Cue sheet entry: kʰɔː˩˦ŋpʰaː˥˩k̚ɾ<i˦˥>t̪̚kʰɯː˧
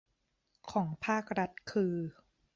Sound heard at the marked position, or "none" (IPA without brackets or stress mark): a˦˥